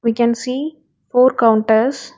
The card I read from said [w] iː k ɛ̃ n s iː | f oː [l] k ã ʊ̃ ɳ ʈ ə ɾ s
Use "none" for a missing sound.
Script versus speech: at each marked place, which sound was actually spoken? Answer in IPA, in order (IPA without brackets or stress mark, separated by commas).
ʋ, ɾ